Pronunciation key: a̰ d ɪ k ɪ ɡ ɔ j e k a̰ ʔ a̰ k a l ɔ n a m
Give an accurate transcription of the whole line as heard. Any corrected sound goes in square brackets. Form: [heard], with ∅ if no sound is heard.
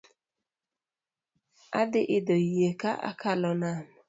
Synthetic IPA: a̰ d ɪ [ʔ] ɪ [d] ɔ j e k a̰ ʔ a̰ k a l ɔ n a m